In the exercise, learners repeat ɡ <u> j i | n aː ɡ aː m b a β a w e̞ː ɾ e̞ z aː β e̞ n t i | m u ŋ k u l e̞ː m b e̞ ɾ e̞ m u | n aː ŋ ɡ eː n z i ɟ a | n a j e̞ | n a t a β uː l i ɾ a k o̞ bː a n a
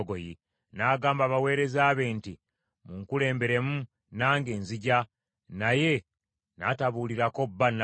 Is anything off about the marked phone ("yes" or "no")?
yes